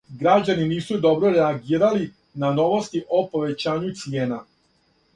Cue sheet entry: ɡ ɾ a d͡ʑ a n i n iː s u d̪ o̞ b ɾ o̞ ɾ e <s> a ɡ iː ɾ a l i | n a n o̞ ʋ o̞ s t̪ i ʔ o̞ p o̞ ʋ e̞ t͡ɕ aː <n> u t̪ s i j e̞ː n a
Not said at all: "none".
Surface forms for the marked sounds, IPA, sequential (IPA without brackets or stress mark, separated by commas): none, ɲ